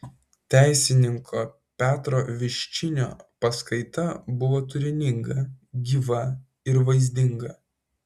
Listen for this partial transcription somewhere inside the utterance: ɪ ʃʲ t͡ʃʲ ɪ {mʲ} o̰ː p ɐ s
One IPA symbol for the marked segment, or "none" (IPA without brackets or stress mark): nʲ